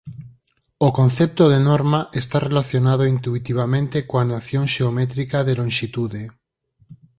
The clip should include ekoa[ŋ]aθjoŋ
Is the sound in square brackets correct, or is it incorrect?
incorrect